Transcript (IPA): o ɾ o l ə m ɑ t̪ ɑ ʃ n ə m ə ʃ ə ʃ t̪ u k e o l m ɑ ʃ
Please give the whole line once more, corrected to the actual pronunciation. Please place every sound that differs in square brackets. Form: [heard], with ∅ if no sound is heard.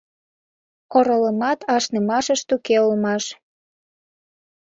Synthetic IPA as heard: o ɾ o l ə m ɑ t̪ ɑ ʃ n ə m [ɑ] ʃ ə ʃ t̪ u k e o l m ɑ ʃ